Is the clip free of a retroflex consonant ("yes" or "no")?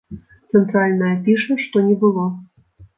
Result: no